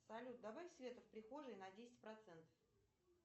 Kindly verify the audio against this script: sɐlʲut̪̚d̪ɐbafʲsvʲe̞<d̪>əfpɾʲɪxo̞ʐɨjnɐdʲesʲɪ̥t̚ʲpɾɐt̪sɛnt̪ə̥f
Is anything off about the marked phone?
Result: yes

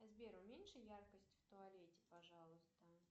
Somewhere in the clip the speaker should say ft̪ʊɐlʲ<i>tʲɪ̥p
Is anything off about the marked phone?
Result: yes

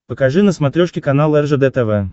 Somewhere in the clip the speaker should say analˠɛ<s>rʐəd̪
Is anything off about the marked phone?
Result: yes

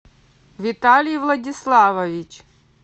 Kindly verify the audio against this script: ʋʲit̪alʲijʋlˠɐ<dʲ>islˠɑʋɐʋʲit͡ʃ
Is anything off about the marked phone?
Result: no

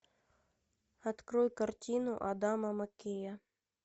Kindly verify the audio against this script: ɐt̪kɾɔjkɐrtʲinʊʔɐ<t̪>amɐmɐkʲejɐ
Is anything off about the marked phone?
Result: yes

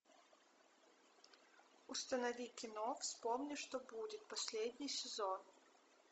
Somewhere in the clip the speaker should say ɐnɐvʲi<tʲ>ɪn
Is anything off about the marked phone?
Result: yes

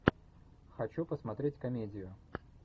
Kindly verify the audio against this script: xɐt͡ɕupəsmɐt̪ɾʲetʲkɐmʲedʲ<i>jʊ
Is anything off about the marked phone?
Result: yes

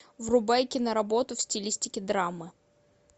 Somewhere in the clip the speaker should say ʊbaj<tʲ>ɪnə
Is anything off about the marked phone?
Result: yes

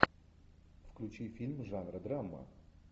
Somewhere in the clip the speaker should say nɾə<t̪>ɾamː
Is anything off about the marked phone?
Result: yes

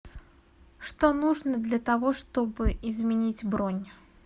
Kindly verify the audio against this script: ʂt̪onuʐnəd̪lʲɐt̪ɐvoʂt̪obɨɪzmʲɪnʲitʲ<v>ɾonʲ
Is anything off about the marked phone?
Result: yes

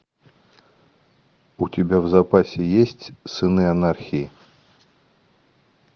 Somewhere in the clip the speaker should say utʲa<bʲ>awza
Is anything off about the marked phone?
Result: no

